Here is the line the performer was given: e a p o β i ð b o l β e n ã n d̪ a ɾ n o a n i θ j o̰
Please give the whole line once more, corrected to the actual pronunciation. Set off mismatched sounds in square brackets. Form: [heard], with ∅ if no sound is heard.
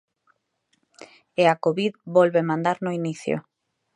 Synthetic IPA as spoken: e a [k] o β i ð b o l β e [m] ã n d̪ a ɾ n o [i] n i θ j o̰